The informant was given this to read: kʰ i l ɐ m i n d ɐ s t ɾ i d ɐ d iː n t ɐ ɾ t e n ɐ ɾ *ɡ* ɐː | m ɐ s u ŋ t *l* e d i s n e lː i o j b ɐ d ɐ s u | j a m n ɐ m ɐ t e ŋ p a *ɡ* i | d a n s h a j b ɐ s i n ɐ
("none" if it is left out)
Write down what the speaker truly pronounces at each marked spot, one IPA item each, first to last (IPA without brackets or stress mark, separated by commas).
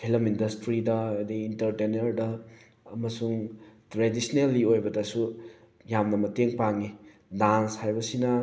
d, ɾ, ŋ